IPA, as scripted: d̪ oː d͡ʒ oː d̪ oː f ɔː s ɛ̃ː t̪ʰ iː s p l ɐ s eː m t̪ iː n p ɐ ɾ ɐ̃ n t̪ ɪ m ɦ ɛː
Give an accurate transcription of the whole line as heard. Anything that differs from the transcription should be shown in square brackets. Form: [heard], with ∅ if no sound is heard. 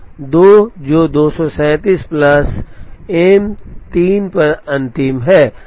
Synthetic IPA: d̪ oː d͡ʒ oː d̪ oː [s] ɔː s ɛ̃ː [t̪] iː s p l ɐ s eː m t̪ iː n p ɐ ɾ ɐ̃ n t̪ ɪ m ɦ ɛː

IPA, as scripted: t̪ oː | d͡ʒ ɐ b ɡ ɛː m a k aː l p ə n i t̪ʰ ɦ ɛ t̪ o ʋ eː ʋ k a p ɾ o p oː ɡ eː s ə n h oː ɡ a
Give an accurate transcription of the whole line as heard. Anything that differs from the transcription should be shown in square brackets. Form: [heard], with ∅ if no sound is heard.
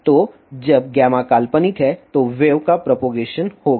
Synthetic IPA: t̪ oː | d͡ʒ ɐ b ɡ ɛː m a k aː l p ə n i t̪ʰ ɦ ɛ t̪ o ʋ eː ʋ k a p ɾ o p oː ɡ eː [ʃ] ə n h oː ɡ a

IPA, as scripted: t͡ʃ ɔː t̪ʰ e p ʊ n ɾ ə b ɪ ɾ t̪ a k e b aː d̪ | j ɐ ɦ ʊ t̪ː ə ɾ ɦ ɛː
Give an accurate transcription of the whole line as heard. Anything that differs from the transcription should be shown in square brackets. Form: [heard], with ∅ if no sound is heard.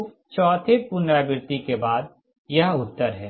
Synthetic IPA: t͡ʃ ɔː t̪ʰ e p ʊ n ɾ [a] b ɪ ɾ t̪ [i] k e b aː d̪ | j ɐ ɦ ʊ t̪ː ə ɾ ɦ ɛː

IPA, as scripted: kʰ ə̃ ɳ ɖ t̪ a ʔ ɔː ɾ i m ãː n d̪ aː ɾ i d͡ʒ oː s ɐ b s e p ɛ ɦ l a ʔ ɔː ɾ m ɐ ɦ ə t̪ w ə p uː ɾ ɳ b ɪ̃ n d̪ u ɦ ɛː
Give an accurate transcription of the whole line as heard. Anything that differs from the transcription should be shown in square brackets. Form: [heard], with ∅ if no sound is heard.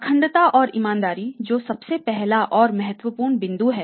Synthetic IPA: kʰ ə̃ ɳ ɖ t̪ a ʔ ɔː ɾ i m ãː n d̪ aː ɾ i d͡ʒ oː s ɐ b s e p ɛ ɦ l a ʔ ɔː ɾ m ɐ ɦ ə t̪ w ə p uː ɾ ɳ b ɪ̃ n d̪ u ɦ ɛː

